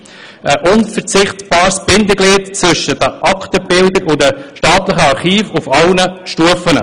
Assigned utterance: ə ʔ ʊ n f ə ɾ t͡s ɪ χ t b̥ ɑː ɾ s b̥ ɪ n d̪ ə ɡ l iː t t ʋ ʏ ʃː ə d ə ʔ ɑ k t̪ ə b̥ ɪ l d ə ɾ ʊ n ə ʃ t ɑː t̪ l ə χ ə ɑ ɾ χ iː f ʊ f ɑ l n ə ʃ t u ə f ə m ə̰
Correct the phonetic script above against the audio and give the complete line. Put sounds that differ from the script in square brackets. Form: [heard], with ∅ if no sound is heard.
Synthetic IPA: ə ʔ ʊ n f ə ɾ t͡s ɪ χ t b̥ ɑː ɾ s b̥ ɪ n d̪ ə ɡ l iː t [t͡s] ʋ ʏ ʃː ə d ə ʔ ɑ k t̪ ə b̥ ɪ l d ə ɾ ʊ [d] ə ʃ t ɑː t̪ l ə χ ə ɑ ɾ χ iː f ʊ f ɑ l n ə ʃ t u ə f ə [n] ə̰